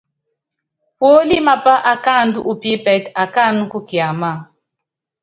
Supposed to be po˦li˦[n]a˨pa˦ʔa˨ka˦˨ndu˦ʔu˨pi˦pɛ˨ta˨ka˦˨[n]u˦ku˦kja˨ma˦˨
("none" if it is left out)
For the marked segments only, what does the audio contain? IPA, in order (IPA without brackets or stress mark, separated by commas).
m, n